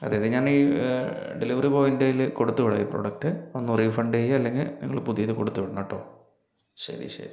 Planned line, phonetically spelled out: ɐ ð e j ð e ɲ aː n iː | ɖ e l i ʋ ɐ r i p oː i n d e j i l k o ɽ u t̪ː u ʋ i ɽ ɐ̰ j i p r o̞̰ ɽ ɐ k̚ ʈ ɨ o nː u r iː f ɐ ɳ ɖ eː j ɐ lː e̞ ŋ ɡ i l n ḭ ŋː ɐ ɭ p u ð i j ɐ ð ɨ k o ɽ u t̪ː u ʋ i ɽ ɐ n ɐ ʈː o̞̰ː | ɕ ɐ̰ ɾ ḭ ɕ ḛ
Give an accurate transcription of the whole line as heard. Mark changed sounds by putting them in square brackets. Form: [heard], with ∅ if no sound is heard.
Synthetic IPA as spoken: ɐ ð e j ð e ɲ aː n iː | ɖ e l i ʋ ɐ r i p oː i n d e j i l k o ɽ u t̪ː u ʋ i ɽ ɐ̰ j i p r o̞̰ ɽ ɐ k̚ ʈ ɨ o nː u r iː f ɐ ɳ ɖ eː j ɐ lː e̞ ŋ ɡ i l n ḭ ŋː ɐ ɭ p u ð i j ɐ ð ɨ k o ɽ u t̪ː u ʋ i ɽ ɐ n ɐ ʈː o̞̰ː | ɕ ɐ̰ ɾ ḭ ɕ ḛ

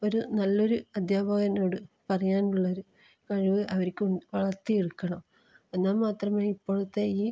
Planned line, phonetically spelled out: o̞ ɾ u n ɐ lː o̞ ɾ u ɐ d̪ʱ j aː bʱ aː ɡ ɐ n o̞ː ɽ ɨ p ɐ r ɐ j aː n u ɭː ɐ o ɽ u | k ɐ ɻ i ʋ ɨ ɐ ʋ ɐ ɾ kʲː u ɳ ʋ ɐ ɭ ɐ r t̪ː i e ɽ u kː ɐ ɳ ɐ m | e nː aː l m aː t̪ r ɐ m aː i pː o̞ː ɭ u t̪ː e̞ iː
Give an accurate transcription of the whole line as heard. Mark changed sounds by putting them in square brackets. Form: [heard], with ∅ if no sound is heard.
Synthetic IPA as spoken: o̞ ɾ u n ɐ lː o̞ ɾ u ɐ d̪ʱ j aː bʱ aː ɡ ɐ n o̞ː ɽ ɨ p ɐ r ɐ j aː n u ɭː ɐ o [ɾ] u | k ɐ ɻ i ʋ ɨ ɐ ʋ ɐ ɾ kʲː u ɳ ʋ ɐ ɭ ɐ r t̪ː i e ɽ u kː ɐ ɳ ɐ m | e nː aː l m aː t̪ r ɐ m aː i pː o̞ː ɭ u t̪ː e̞ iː

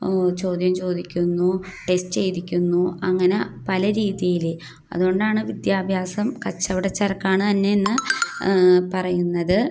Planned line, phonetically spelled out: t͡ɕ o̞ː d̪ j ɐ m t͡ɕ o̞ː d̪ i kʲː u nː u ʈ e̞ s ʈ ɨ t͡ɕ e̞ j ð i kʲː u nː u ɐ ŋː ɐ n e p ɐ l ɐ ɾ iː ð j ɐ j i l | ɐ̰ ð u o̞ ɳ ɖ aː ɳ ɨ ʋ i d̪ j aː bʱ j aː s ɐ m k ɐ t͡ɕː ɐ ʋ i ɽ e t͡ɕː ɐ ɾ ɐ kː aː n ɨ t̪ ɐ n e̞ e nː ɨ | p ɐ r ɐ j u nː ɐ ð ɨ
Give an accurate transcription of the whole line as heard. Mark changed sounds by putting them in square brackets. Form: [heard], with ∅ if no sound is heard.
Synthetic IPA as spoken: t͡ɕ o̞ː d̪ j ɐ m t͡ɕ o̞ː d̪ i kʲː u nː u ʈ e̞ s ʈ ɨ t͡ɕ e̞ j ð i kʲː u nː u ɐ ŋː ɐ n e p ɐ l ɐ ɾ iː ð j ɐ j i l | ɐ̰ ð u o̞ ɳ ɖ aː ɳ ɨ ʋ i d̪ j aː bʱ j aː s ɐ m k ɐ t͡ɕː ɐ ʋ i ɽ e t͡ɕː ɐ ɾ ɐ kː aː [ɳ] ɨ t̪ ɐ [nː] e̞ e nː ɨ | p ɐ r ɐ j u nː ɐ ð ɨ

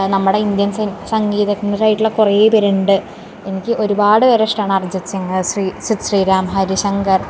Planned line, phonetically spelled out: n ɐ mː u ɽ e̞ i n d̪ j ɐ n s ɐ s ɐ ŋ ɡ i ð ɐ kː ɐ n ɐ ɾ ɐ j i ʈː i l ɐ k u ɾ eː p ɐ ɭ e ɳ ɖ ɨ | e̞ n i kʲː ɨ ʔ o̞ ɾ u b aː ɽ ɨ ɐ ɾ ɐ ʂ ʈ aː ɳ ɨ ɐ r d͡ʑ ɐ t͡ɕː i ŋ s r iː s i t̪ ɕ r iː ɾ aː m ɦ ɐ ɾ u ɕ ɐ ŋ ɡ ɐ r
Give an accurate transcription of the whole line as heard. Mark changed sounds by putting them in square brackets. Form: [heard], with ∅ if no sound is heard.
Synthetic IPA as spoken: n ɐ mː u ɽ e̞ i n d̪ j ɐ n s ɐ s ɐ ŋ ɡ [iː] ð ɐ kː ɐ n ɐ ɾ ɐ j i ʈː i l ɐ k u [r] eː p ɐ [ɾ] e ɳ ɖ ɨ | e̞ n i kʲː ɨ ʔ o̞ ɾ u b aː ɽ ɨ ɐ ɾ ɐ ʂ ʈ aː ɳ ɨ ɐ r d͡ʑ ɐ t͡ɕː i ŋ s r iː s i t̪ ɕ r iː ɾ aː m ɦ ɐ ɾ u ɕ ɐ ŋ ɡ ɐ r

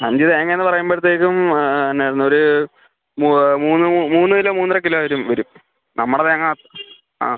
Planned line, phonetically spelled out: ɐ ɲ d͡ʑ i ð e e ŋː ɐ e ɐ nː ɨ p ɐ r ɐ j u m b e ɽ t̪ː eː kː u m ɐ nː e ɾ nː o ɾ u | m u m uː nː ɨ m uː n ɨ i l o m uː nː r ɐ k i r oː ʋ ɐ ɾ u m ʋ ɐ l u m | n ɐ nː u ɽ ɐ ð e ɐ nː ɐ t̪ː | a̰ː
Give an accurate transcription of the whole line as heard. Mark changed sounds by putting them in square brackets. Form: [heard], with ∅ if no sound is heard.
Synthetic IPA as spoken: ɐ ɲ d͡ʑ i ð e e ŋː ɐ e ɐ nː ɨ p ɐ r ɐ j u m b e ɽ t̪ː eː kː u m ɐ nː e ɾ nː o ɾ u | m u m uː nː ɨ m uː [nː] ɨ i l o m uː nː r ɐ k i [l] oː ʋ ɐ ɾ u m ʋ ɐ [ɾ] u m | n ɐ [mː] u ɽ ɐ ð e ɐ [ŋː] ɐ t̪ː | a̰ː

